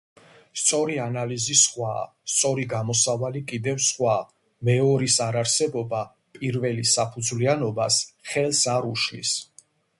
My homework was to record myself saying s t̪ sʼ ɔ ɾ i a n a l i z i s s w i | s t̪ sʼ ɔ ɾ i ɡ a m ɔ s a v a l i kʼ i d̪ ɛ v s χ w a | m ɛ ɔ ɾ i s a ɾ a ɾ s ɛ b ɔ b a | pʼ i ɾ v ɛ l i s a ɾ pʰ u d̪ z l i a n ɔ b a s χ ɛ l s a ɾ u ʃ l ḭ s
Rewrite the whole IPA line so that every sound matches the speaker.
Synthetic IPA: s t̪ sʼ ɔ ɾ i a n a l i z i s χ w a | s t̪ sʼ ɔ ɾ i ɡ a m ɔ s a v a l i kʼ i d̪ ɛ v s χ w a | m ɛ ɔ ɾ i s a ɾ a ɾ s ɛ b ɔ b a | pʼ i ɾ v ɛ l i s a pʰ u d̪ z l i a n ɔ b a s χ ɛ l s a ɾ u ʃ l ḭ s